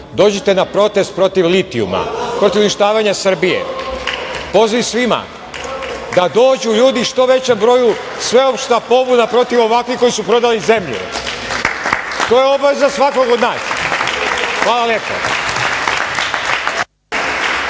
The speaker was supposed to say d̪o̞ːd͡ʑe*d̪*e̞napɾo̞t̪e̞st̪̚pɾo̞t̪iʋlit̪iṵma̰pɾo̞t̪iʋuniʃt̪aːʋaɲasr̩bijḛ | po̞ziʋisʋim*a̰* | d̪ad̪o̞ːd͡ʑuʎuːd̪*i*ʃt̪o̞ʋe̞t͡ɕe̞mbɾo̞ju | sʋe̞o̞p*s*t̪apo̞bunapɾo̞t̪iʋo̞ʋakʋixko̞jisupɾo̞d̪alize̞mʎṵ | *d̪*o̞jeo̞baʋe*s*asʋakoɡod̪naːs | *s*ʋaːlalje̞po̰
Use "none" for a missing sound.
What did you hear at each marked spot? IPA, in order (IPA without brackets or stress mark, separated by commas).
t̪, a̰, i, ʃ, t̪, z, x